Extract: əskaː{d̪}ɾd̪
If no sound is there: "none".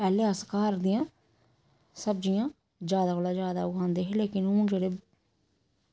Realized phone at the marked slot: none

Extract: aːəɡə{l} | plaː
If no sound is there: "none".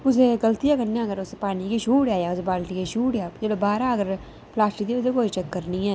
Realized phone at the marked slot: ɾ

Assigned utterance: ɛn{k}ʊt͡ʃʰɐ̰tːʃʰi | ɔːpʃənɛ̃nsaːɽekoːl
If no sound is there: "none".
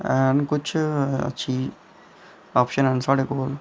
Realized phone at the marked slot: k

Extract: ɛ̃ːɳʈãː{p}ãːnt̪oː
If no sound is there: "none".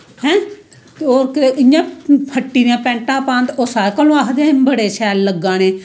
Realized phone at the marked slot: p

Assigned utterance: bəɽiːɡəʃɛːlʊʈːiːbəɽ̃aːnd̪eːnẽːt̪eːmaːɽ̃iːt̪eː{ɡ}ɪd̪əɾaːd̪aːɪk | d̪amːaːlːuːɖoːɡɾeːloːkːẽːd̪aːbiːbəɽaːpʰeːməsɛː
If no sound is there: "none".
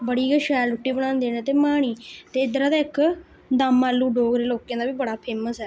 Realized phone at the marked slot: none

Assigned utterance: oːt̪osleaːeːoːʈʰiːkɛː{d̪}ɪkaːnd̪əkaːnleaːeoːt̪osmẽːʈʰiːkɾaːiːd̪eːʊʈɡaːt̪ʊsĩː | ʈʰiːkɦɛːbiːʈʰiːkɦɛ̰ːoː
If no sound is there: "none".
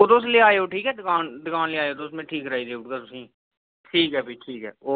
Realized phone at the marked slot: d̪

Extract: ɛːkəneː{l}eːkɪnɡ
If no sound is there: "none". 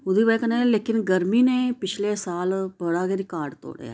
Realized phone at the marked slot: l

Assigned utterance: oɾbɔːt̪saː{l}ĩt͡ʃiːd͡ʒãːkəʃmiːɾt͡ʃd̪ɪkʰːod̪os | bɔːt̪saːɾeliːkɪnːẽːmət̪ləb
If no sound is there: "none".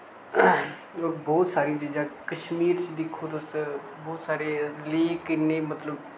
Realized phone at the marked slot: ɾ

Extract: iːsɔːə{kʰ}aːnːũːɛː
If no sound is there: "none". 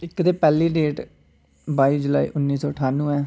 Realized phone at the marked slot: ʈʰ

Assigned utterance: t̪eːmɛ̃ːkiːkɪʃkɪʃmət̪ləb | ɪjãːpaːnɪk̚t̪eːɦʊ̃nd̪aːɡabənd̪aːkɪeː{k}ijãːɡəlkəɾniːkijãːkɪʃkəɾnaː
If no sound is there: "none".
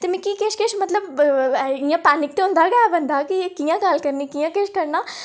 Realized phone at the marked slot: k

